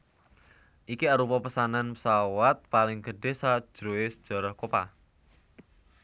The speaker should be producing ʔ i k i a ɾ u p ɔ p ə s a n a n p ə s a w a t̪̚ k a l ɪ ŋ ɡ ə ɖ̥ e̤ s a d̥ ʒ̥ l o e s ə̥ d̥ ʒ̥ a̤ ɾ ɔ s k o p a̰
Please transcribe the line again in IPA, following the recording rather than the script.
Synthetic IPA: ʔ i k i a ɾ u p ɔ p ə s a n a n p ə s a w a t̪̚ p a l ɪ ŋ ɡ ə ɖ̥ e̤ s a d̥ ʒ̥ ɾ o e s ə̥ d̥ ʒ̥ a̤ ɾ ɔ h k o p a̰